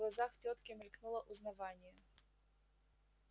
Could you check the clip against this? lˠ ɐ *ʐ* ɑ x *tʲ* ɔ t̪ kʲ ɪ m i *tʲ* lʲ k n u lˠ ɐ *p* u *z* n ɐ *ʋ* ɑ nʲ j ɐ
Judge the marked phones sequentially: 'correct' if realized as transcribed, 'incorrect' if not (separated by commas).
incorrect, correct, incorrect, incorrect, correct, correct